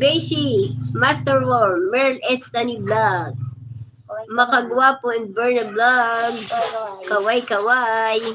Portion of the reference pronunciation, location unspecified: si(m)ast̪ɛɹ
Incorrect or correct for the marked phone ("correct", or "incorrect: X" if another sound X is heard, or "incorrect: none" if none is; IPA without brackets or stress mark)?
correct